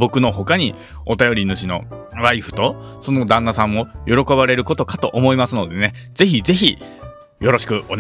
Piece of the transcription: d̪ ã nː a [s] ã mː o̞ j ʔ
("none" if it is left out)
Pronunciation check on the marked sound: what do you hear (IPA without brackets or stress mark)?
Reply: s